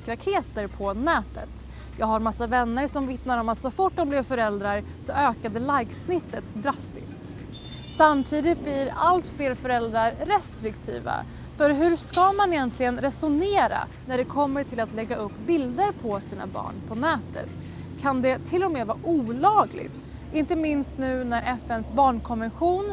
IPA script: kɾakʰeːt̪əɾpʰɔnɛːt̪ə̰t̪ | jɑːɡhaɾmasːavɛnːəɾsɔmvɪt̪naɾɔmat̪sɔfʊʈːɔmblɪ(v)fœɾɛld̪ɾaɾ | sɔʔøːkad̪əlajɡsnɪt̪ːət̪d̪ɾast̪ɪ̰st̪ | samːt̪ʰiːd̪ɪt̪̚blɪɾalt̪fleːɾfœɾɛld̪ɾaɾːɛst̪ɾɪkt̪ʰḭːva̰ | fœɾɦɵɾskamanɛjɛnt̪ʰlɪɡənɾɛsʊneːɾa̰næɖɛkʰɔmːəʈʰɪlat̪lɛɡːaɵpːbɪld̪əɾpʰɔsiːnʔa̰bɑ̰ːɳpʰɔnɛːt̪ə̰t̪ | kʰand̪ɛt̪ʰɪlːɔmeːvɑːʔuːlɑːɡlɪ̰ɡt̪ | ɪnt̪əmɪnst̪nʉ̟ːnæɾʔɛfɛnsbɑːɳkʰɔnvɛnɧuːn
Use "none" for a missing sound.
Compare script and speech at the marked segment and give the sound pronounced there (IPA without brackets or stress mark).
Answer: v